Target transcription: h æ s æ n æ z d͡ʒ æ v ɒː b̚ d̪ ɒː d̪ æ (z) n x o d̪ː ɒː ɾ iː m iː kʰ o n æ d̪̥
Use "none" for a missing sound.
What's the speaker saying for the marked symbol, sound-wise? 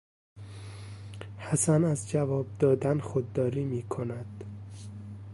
none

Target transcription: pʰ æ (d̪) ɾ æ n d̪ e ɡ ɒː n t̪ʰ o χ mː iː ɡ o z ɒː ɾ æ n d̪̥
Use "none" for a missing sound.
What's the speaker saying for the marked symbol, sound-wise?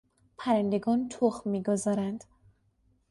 none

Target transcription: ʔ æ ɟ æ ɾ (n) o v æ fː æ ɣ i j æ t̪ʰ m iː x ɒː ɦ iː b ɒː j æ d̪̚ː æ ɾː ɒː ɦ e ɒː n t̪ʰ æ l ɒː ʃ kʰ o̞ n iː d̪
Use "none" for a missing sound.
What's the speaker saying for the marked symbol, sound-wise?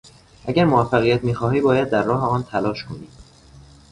m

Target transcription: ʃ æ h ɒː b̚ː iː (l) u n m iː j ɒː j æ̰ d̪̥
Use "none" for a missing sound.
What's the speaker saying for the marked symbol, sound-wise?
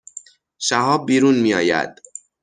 ɾ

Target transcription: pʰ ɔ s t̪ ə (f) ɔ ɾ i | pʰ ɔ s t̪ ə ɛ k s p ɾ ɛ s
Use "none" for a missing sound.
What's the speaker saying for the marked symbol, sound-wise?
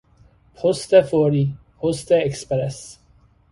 f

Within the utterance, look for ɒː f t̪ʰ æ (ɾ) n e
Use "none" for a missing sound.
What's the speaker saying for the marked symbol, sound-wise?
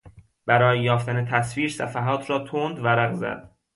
none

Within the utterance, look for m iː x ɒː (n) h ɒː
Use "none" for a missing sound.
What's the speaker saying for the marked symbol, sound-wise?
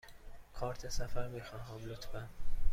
n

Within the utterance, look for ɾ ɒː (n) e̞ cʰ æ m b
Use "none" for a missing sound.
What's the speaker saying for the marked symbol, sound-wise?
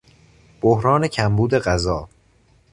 n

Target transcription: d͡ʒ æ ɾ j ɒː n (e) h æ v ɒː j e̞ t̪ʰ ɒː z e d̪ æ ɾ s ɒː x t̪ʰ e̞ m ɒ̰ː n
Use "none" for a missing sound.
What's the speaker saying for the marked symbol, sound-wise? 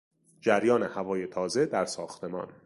e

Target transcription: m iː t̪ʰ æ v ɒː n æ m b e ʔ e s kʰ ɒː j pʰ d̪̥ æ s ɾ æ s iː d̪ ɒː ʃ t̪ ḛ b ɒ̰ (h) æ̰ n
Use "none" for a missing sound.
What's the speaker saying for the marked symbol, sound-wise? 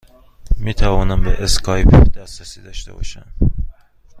ʃ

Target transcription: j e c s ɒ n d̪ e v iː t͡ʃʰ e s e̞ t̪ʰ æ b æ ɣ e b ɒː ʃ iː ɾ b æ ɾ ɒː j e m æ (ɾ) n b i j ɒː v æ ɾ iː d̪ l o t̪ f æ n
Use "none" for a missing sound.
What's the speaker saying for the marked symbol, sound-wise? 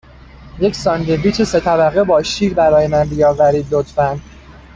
none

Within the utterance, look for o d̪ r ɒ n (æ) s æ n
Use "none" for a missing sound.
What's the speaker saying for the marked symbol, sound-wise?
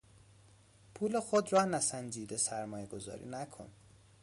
æ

